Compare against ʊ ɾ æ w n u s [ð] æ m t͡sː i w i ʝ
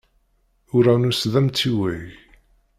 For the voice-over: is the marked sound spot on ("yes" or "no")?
yes